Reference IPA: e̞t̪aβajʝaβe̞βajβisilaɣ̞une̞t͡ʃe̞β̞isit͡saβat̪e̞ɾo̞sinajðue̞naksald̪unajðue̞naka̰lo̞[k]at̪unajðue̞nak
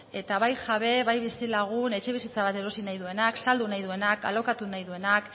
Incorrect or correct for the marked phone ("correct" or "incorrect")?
correct